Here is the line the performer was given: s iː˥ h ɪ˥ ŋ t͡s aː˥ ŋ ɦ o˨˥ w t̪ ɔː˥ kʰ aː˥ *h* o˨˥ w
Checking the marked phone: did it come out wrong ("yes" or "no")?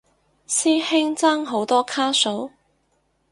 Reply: yes